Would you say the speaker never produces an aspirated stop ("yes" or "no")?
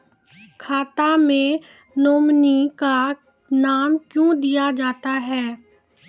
no